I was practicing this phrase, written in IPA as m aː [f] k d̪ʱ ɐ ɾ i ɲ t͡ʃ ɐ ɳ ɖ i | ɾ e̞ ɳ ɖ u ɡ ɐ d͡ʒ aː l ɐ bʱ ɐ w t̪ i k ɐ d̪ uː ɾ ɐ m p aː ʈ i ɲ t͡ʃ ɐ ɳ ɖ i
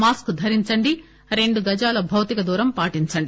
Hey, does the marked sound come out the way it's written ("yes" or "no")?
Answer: no